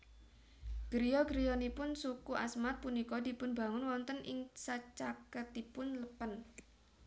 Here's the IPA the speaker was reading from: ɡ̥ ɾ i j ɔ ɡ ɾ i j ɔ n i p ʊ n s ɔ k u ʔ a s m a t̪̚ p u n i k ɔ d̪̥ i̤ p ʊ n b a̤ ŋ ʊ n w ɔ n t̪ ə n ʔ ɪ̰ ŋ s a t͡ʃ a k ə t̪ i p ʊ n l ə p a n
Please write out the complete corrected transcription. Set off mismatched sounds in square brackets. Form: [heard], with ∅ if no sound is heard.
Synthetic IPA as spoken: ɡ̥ ɾ i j ɔ ɡ ɾ i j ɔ n i p ʊ n s [u] k u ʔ a s m a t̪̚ p u n i k ɔ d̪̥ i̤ p ʊ n b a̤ ŋ ʊ n w ɔ n t̪ ə n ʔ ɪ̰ ŋ s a t͡ʃ a k ə t̪ i p ʊ n l ə p [ə] n